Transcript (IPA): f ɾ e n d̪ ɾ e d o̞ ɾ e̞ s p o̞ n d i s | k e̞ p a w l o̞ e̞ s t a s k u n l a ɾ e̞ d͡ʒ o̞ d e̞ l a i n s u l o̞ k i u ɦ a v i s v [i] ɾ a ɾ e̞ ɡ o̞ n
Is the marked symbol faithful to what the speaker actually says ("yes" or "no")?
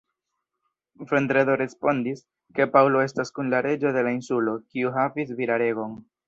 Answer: yes